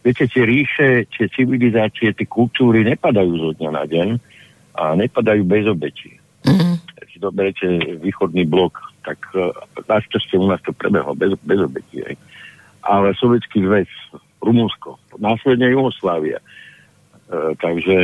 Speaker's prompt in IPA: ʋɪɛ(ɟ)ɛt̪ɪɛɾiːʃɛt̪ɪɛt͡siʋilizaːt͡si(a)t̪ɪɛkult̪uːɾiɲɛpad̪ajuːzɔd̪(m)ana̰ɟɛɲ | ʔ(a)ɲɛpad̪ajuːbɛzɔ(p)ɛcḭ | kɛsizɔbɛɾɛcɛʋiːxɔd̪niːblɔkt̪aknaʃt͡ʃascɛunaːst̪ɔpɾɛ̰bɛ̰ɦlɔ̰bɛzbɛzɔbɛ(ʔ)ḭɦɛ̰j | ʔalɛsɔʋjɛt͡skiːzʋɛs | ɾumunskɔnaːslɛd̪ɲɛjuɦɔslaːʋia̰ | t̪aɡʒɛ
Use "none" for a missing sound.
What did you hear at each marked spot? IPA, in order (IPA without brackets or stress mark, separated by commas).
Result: c, ɛ, ɲ, a, b, c